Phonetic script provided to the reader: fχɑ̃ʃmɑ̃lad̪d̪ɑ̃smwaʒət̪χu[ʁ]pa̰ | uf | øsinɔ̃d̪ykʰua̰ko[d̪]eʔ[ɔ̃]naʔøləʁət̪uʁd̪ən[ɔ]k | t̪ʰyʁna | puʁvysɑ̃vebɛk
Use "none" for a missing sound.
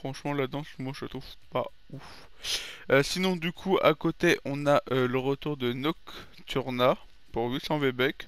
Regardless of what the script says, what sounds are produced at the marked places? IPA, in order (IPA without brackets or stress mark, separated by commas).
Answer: v, t̪, ɔ̃, ɔ